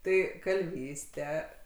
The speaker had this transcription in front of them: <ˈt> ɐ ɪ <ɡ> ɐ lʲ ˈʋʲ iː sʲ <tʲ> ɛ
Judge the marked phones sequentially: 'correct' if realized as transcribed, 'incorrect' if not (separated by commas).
correct, incorrect, correct